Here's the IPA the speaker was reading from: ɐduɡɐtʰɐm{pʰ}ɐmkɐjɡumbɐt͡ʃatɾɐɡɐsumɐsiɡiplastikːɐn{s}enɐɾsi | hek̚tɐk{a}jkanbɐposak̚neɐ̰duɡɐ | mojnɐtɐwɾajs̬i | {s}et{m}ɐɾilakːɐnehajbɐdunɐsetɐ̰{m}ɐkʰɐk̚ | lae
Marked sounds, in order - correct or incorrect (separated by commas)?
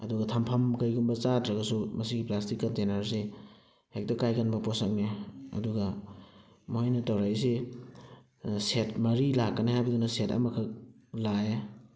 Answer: correct, incorrect, correct, correct, correct, correct